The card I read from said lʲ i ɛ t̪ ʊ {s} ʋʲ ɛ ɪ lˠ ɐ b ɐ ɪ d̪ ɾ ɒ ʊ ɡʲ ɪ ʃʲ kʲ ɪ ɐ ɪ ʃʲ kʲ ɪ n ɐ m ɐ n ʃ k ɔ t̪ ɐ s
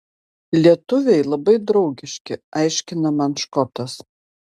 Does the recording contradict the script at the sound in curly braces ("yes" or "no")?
yes